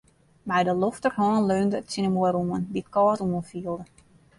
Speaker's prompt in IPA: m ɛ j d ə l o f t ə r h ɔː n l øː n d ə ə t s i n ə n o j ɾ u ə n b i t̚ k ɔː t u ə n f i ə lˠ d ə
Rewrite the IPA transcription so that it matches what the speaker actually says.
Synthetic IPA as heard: m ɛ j d ə l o f t ə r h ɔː n l øː n d ə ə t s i n ə m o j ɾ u ə n b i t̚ k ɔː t u ə n f i ə lˠ d ə